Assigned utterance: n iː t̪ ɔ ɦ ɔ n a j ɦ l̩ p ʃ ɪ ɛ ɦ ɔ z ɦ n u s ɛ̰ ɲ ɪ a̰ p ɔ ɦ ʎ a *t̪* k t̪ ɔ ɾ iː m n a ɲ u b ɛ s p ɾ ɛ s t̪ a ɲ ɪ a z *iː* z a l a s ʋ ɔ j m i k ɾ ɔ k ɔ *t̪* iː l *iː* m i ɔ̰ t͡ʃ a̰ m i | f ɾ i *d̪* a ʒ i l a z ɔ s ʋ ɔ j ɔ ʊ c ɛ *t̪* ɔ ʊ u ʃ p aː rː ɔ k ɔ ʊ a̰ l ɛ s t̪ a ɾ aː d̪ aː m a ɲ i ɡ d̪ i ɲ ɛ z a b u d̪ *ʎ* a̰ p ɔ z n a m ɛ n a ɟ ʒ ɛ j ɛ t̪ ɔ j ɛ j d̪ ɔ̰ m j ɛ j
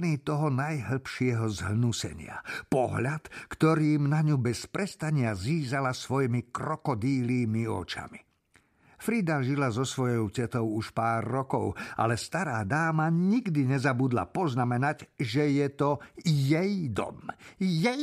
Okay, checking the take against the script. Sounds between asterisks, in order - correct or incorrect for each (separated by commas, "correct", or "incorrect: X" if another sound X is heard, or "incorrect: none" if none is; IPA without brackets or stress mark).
correct, correct, incorrect: d̪, correct, correct, correct, incorrect: l